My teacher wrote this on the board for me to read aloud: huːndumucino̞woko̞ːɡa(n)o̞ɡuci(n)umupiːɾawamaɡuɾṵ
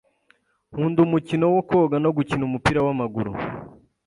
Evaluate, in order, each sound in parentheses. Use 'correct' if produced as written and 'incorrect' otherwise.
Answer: correct, correct

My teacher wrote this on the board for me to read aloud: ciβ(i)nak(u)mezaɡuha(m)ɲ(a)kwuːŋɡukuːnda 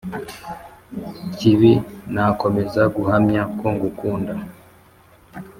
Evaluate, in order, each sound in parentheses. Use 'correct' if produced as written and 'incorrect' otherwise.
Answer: correct, incorrect, correct, correct

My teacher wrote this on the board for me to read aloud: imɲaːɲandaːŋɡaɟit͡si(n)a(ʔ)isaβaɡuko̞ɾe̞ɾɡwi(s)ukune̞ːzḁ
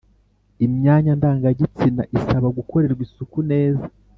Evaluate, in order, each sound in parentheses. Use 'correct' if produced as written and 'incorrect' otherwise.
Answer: correct, correct, correct

